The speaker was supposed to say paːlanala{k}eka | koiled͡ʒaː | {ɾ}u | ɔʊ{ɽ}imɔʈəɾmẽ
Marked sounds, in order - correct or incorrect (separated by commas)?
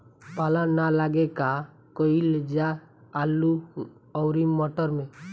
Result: incorrect, incorrect, incorrect